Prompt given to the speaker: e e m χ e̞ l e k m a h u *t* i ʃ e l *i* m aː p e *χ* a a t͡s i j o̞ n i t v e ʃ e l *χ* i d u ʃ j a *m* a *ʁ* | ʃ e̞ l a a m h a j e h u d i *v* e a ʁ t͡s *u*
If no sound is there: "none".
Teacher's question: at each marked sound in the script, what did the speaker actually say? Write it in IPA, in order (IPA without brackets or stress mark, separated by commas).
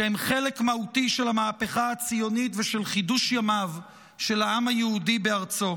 t, a, χ, χ, m, v, b, o